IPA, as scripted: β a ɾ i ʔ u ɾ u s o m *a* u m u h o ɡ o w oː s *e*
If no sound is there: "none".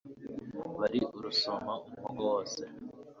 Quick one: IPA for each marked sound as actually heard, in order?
a, e

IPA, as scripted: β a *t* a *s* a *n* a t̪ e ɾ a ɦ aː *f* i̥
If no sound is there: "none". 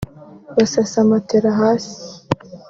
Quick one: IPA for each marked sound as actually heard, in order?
s, s, m, s

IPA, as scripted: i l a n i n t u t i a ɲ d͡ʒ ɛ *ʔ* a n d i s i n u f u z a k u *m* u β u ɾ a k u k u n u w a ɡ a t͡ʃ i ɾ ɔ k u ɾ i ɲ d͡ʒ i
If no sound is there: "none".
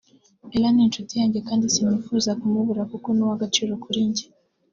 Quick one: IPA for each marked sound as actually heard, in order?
k, m

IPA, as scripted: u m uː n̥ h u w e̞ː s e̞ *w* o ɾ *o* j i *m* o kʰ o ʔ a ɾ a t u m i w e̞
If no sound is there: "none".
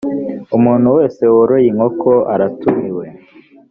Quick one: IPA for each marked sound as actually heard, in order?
w, o, ŋ

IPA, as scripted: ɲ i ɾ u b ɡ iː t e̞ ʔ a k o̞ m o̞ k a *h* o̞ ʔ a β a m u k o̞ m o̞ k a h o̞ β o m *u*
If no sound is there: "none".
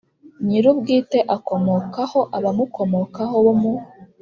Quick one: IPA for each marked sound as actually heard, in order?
h, u

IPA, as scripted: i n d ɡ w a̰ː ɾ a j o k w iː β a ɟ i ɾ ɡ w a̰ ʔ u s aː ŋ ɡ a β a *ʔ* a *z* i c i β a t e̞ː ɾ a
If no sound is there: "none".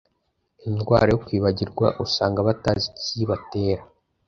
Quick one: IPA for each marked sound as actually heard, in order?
t, z

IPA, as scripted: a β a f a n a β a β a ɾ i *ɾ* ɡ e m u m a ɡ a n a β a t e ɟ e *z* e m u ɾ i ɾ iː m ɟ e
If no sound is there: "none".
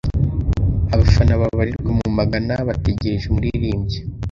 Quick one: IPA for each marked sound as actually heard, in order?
ɾ, ʒ

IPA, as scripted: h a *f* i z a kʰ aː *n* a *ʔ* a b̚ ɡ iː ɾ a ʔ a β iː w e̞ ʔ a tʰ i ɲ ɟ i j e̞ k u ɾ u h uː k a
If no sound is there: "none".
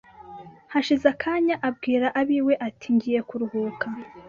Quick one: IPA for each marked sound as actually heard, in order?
ʃ, ɲ, ʔ

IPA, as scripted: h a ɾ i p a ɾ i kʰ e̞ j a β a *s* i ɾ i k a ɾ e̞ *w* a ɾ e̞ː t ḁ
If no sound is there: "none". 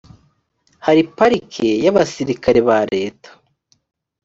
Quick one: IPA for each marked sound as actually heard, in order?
s, β

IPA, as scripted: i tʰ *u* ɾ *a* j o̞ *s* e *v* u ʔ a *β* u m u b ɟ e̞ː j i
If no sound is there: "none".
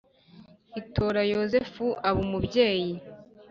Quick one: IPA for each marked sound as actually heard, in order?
o, a, z, f, β

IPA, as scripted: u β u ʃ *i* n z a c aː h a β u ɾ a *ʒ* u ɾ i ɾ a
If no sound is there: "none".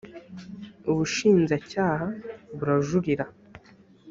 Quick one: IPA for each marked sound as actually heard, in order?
iː, ʒ

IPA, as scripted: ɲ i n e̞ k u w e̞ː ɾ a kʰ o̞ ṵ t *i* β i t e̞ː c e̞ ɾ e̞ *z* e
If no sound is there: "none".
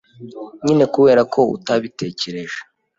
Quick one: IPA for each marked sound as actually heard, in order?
a, ʒ

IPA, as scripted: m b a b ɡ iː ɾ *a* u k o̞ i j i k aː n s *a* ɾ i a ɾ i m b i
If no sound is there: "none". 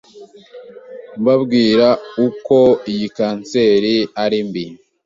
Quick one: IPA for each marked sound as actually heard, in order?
a, e

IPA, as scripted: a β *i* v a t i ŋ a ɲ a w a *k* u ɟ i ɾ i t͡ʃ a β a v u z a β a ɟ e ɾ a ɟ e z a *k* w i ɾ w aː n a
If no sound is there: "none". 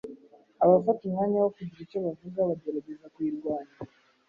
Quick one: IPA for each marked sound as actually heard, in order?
a, k, k

